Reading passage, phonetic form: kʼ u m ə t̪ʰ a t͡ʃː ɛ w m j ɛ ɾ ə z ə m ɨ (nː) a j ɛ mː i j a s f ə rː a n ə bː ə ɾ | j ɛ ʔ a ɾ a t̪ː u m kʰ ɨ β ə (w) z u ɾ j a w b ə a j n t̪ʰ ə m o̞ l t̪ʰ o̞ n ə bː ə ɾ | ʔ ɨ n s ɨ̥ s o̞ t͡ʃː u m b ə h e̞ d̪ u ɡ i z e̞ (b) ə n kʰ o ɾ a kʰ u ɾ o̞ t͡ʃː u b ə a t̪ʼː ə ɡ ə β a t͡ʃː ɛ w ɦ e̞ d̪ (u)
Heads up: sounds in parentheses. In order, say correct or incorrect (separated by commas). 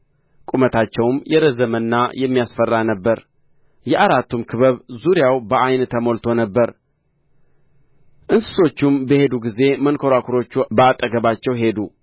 correct, incorrect, incorrect, correct